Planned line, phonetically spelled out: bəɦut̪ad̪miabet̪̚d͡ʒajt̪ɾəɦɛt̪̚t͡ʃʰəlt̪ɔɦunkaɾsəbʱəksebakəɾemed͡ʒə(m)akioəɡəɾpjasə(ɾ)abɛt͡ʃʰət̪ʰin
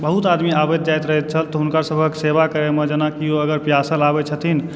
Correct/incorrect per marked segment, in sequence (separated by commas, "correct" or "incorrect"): incorrect, incorrect